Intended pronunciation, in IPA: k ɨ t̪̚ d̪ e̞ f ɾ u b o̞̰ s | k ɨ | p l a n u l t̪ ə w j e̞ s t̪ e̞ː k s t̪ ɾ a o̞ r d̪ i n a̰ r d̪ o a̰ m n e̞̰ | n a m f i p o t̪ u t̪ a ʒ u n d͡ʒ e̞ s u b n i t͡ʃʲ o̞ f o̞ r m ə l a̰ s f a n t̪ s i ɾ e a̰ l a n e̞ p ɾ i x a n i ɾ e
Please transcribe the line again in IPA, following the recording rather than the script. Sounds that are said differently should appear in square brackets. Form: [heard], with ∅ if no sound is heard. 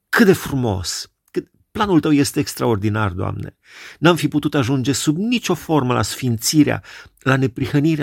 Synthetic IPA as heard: k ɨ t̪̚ d̪ e̞ f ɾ u [m] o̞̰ s | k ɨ | p l a n u l t̪ ə w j e̞ s t̪ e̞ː k s t̪ ɾ a o̞ r d̪ i n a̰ r d̪ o a̰ m n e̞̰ | n a m f i p [u] t̪ u t̪ a ʒ u n d͡ʒ e̞ s u b n i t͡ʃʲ o̞ f o̞ r m ə l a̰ s f [i] n t̪ s i ɾ e a̰ l a n e̞ p ɾ i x [ə] n i ɾ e